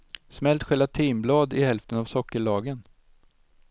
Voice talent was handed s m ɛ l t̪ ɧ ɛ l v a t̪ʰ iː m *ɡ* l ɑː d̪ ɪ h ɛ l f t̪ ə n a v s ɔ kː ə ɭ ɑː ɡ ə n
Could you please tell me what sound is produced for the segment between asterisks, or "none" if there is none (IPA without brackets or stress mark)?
b